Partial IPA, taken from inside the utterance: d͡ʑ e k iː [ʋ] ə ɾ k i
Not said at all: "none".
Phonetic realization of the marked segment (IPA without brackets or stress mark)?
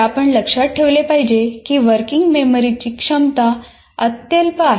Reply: ʋ